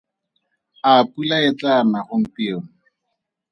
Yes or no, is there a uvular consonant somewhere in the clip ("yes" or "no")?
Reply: yes